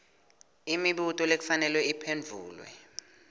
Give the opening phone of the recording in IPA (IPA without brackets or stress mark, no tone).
i